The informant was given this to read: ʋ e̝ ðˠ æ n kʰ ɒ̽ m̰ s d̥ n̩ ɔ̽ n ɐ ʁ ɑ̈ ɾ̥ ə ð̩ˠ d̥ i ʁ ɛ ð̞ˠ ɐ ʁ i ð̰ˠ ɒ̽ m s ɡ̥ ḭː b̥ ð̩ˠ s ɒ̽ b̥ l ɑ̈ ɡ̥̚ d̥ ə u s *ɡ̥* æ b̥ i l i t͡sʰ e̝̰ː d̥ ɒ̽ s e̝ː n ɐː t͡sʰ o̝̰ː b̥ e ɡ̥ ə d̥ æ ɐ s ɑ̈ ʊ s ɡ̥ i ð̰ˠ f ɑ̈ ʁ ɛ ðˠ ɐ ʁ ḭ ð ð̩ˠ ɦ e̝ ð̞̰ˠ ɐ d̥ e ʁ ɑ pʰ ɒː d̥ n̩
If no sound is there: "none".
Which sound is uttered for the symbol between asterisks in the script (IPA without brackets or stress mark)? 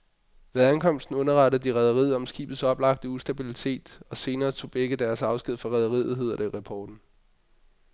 d̥